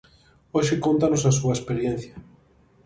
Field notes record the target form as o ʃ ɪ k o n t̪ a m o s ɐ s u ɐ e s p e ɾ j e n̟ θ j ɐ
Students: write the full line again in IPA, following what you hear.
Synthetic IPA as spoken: o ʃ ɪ k o n t̪ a n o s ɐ s u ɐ e s p e ɾ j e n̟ θ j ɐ